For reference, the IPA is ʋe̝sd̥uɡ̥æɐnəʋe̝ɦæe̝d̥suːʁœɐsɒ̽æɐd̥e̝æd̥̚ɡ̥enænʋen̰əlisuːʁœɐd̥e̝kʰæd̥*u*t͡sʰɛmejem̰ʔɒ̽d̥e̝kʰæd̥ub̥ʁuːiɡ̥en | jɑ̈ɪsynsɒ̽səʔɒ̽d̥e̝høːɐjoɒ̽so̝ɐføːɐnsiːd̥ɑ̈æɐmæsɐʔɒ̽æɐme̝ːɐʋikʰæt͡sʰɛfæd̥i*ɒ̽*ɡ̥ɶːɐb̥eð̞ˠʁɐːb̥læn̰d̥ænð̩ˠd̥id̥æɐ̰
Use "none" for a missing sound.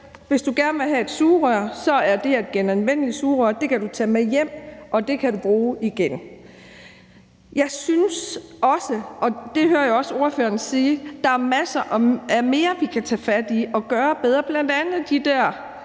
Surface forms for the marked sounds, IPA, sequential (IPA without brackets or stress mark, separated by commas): u, ɒ̽